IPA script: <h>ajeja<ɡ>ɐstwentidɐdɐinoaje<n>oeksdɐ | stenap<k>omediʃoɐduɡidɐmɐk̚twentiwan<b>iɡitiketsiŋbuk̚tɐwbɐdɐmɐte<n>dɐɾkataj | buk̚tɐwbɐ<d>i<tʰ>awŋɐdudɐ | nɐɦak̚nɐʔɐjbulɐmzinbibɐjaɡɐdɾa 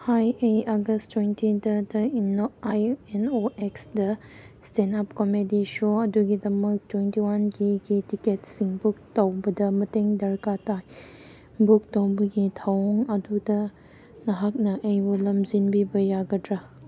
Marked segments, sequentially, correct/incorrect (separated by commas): correct, correct, correct, correct, incorrect, incorrect, incorrect, correct